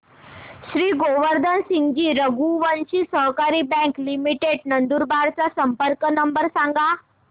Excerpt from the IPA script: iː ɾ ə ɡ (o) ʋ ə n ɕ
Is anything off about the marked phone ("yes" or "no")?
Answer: yes